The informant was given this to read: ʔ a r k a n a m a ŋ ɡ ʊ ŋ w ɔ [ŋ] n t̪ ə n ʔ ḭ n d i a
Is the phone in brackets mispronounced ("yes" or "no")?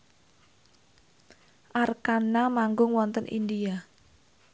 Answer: yes